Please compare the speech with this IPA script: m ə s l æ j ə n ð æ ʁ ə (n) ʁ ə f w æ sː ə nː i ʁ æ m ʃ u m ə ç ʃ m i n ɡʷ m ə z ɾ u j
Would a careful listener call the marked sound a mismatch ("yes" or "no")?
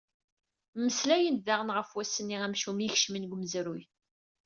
no